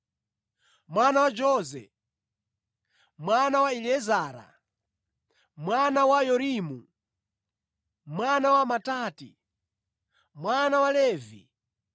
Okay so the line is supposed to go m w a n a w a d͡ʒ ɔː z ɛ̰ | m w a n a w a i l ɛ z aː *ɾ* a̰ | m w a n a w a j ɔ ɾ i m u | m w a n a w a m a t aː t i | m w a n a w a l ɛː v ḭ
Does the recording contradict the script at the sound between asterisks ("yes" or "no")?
no